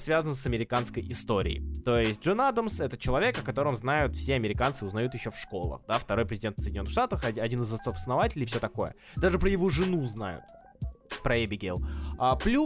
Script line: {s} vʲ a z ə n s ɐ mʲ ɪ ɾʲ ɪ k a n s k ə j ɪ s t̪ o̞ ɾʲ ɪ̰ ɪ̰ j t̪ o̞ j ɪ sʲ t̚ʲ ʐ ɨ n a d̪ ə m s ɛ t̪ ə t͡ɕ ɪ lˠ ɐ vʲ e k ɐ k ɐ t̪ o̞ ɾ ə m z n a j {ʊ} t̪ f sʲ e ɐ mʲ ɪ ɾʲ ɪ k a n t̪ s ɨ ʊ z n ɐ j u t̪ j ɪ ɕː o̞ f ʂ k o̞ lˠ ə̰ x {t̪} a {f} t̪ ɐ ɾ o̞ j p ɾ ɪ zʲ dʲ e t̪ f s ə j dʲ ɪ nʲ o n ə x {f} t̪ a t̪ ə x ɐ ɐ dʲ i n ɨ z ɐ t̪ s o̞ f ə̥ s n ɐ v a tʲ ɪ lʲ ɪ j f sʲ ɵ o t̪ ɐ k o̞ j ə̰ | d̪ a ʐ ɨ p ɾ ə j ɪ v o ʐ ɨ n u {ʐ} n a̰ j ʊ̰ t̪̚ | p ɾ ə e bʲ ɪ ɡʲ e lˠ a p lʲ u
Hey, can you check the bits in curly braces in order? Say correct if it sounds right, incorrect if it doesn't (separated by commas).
correct, correct, incorrect, correct, incorrect, incorrect